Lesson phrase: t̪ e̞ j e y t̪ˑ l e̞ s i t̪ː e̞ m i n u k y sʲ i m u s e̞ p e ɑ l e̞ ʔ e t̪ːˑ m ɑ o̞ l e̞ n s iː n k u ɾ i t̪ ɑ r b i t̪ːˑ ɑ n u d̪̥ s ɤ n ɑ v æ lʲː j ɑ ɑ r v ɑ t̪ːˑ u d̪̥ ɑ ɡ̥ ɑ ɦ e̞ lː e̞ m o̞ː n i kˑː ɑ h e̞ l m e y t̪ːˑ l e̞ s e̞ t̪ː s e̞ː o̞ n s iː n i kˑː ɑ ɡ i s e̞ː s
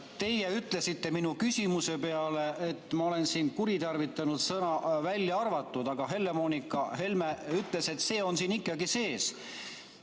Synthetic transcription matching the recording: t̪ e̞ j e y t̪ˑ l e̞ s i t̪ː e̞ m i n u k y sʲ i m u s e̞ p e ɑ l e̞ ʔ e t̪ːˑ m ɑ o̞ l e̞ n s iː n k u ɾ i t̪ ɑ r v i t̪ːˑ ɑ n u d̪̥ s ɤ n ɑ v æ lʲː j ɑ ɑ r v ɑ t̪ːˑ u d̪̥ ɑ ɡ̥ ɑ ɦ e̞ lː e̞ m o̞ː n i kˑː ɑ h e̞ l m e y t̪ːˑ l e̞ s e̞ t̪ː s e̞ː o̞ n s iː n i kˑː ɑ ɡ i s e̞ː s